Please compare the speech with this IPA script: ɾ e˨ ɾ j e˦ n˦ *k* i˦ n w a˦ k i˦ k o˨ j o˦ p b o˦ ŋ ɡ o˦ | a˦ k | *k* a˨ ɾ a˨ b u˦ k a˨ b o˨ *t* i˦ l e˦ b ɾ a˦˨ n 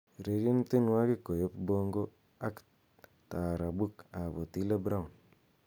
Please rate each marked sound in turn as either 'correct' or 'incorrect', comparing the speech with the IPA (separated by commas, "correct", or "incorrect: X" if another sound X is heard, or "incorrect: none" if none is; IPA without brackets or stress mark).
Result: incorrect: t, incorrect: t, correct